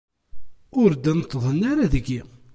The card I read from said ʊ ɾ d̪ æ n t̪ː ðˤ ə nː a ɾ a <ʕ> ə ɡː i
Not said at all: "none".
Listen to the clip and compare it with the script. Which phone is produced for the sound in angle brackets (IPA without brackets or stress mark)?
ð